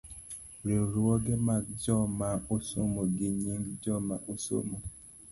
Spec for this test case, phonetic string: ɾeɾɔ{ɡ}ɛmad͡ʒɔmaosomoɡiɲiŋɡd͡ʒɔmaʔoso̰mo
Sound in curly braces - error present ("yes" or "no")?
no